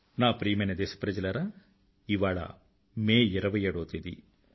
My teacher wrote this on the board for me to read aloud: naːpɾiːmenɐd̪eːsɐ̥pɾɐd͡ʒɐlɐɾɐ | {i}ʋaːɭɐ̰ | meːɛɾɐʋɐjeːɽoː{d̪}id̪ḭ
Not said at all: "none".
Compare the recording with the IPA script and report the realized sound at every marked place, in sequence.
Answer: i, t̪

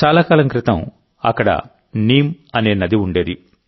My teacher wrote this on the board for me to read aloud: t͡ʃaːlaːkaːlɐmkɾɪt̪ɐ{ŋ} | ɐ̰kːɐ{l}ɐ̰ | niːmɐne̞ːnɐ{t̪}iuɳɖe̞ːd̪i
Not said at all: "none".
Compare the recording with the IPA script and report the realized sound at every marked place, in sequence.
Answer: m, ɽ, d̪

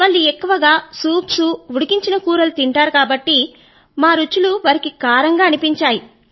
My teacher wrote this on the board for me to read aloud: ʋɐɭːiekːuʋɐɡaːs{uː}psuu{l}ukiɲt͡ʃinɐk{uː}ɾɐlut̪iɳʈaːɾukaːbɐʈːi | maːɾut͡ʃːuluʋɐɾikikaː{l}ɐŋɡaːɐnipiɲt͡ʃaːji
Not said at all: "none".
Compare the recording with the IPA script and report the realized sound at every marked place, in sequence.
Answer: uː, ɽ, uː, ɾ

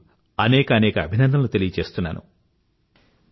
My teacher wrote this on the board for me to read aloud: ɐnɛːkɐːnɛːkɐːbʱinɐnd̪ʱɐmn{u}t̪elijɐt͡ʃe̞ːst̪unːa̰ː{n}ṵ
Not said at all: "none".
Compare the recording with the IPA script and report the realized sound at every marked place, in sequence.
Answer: u, n

